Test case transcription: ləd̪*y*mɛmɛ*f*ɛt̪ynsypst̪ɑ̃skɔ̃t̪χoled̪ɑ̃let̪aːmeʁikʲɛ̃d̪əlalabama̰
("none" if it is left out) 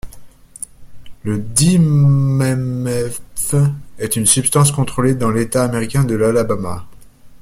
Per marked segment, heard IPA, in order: i, f

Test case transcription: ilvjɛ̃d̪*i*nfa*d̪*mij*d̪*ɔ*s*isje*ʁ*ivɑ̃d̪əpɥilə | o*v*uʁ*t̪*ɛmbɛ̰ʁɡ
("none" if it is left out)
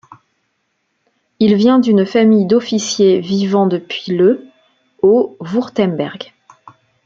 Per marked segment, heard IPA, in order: y, none, d̪, f, v, v, t̪

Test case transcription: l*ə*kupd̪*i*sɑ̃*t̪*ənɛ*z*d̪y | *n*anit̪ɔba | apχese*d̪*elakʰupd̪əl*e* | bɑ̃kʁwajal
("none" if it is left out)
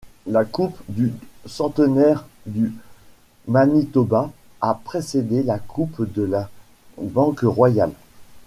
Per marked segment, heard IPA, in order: a, y, t̪, ʁ, m, d̪, a

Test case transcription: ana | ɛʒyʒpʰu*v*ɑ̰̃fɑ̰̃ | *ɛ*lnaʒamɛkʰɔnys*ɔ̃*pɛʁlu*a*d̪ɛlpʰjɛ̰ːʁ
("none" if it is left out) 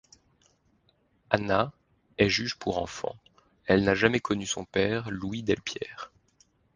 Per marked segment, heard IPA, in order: ʁ, ɛ, ɔ̃, i

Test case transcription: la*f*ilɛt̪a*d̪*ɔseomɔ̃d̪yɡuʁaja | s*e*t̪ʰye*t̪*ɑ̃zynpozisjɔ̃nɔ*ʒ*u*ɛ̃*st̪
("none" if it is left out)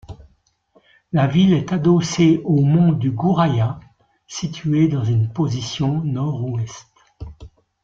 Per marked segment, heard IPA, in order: v, d̪, i, d̪, ʁ, ɛ

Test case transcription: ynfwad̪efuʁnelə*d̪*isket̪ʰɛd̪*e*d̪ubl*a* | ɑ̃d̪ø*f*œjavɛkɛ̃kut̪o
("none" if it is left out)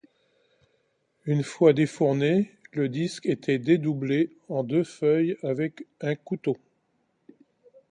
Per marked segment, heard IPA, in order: d̪, e, e, f

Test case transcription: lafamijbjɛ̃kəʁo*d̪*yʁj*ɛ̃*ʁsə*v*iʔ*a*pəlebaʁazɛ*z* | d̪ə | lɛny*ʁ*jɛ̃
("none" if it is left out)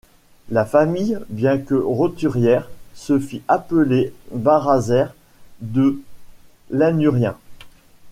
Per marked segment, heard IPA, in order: t̪, ɛ, f, a, ʁ, ʁ

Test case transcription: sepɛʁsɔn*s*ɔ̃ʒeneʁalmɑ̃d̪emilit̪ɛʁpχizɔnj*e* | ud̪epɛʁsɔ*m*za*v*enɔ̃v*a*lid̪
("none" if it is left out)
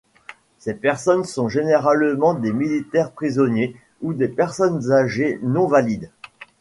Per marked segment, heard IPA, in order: s, e, n, ʒ, a

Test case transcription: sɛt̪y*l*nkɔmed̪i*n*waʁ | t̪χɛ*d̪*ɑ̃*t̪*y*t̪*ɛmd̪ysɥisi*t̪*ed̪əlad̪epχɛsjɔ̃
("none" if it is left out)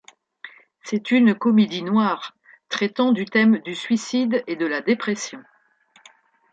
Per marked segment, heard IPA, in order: none, n, t̪, d̪, t̪, d̪

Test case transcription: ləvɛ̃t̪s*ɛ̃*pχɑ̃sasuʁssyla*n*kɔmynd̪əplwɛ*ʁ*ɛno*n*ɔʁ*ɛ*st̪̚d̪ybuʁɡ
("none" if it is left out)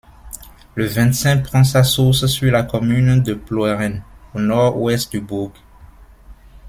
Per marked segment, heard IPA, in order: ɛ̃, none, ʁ, n, ɛ

